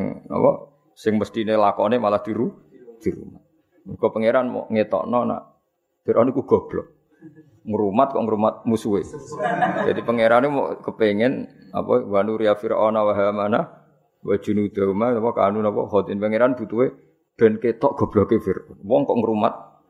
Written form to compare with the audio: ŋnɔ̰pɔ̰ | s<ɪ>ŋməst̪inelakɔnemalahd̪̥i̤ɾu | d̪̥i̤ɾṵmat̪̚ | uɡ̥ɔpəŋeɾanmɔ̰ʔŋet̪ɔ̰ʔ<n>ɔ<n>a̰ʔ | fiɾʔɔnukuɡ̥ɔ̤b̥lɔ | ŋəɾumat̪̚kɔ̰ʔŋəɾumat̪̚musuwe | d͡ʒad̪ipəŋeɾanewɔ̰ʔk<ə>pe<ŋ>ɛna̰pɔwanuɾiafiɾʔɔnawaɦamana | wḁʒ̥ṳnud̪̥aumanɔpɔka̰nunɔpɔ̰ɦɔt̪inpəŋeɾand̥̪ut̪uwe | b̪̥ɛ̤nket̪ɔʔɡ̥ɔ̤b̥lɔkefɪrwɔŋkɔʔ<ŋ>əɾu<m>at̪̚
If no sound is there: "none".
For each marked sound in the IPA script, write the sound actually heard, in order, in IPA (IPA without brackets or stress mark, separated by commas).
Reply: ɪ, n, n, ə, ŋ, ŋ, m